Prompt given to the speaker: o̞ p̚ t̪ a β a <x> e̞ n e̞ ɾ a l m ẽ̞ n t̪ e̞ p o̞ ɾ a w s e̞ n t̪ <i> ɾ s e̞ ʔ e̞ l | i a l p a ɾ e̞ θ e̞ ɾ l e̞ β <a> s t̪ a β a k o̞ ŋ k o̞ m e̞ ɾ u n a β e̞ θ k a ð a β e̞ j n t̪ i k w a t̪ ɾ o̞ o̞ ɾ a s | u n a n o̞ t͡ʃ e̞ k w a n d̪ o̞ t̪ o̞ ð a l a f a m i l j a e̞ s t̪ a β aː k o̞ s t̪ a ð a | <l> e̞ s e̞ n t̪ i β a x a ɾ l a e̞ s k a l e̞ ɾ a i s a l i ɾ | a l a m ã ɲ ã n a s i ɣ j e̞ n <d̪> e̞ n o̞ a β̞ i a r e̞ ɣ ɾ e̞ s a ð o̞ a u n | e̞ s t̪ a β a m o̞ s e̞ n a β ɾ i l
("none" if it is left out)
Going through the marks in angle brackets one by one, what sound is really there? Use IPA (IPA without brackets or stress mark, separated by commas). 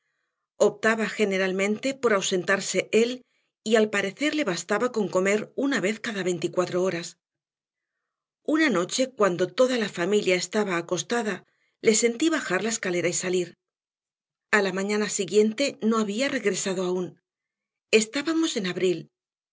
x, a, a, l, t̪